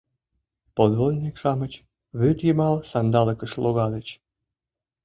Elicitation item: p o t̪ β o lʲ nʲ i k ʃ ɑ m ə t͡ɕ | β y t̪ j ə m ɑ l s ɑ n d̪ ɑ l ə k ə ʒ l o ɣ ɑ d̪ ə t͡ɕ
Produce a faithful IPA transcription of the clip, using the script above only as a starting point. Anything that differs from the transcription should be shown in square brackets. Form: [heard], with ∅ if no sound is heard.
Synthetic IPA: p o [d̪] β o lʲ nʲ i k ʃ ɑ m ə t͡ɕ | β y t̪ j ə m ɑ l s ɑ n d̪ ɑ l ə k ə [ʃ] l o ɣ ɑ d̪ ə t͡ɕ